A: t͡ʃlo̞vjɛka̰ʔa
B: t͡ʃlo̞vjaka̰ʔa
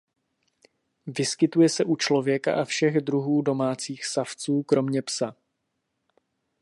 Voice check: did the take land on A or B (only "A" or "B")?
A